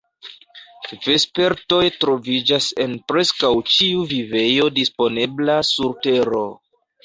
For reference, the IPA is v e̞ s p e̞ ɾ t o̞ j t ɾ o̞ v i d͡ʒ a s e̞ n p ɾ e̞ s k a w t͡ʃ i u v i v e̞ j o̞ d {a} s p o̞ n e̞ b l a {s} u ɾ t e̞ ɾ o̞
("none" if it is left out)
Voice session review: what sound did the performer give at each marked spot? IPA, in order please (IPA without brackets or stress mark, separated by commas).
i, s